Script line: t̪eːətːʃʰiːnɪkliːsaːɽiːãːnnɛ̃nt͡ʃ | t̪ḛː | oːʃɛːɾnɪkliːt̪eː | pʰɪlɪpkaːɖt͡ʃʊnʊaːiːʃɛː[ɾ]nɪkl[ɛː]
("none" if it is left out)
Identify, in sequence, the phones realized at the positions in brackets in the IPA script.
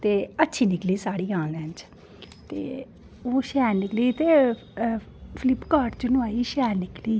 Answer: ɾ, iː

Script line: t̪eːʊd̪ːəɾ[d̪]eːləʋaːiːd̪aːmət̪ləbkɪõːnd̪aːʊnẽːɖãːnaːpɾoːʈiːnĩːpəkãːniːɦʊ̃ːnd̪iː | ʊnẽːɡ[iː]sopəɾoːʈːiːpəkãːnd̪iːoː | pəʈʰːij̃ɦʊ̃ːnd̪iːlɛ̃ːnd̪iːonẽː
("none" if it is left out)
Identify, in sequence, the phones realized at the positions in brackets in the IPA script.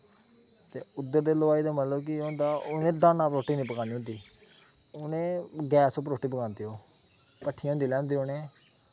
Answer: d̪, ɛː

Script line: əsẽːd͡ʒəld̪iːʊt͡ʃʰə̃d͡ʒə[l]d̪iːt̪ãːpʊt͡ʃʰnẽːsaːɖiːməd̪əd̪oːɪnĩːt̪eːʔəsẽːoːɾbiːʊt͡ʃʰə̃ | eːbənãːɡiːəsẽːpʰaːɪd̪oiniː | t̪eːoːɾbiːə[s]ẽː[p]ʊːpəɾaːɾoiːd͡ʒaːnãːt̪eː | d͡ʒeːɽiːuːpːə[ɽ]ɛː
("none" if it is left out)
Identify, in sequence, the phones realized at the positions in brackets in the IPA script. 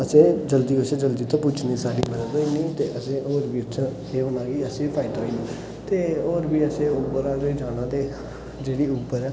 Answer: l, s, none, ɾ

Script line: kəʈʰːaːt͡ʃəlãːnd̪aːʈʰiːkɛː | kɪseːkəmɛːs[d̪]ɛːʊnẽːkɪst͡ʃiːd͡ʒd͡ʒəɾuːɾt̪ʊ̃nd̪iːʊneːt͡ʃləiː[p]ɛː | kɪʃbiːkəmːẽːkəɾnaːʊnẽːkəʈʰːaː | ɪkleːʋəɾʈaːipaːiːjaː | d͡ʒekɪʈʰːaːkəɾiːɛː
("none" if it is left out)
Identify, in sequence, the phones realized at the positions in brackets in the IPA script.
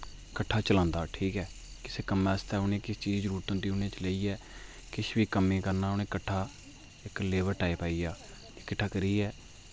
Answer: t̪, none

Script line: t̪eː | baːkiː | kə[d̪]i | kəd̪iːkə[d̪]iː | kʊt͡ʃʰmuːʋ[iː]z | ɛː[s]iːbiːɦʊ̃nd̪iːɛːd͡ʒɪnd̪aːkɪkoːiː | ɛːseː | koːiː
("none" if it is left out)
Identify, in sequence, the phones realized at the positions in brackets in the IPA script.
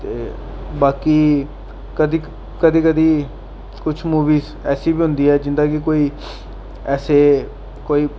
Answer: d̪, d̪, iː, s

